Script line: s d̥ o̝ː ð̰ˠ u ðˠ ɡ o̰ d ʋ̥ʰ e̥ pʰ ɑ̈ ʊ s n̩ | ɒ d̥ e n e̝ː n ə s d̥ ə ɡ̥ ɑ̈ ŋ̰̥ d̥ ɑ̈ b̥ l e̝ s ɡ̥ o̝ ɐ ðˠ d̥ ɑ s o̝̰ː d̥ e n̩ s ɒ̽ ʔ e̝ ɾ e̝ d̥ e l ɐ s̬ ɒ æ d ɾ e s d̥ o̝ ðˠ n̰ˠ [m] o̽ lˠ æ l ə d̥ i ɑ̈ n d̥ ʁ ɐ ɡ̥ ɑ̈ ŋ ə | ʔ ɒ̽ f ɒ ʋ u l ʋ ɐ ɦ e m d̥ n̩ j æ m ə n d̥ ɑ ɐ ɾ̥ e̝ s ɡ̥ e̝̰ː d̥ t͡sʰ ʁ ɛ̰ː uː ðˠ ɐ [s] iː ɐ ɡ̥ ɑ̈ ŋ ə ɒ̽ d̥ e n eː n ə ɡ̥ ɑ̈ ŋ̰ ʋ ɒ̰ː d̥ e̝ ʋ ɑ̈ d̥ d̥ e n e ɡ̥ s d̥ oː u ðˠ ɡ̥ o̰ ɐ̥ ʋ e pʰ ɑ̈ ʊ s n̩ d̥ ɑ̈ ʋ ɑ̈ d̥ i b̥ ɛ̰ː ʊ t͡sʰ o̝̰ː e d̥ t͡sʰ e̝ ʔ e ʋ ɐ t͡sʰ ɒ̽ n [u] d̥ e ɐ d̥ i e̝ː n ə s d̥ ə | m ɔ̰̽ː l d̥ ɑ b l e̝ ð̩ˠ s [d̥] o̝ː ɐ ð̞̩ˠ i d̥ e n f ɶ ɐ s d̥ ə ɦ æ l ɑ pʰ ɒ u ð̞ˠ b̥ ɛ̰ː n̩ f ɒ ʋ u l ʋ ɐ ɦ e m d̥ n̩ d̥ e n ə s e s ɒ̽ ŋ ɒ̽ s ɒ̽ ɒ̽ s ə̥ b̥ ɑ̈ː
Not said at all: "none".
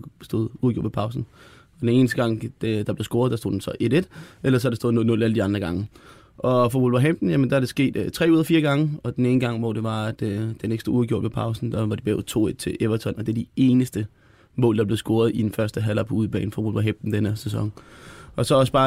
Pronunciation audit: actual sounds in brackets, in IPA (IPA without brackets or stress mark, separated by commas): n, f, ɒ, ɡ̥